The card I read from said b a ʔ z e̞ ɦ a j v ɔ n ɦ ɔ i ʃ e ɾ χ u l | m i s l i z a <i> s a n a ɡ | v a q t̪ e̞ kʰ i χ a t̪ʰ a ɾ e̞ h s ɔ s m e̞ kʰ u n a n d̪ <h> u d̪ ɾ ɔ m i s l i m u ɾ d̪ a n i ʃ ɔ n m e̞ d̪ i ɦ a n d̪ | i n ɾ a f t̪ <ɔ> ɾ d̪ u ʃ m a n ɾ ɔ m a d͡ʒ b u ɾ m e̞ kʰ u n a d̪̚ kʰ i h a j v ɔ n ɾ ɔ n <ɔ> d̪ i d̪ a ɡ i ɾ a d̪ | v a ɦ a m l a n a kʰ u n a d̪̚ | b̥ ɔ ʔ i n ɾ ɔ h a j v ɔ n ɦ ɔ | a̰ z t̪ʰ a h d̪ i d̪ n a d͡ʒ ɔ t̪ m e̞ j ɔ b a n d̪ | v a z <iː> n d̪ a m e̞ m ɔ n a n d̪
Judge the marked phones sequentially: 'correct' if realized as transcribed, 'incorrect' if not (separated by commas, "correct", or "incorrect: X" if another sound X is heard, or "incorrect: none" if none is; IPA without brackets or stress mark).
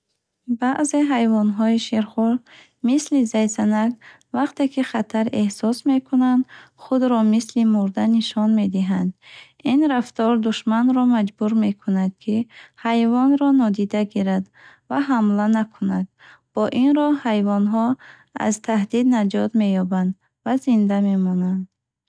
incorrect: j, incorrect: χ, correct, correct, incorrect: i